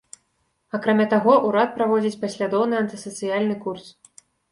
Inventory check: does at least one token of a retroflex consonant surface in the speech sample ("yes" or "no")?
no